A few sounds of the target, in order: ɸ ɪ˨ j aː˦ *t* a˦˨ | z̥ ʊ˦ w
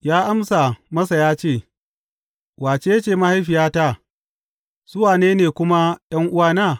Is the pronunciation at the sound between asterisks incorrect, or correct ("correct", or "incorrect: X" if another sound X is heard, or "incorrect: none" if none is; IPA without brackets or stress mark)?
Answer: correct